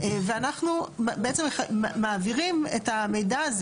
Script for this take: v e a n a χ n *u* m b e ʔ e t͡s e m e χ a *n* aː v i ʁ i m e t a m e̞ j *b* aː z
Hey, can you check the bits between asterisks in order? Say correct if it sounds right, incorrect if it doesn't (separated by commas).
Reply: correct, incorrect, incorrect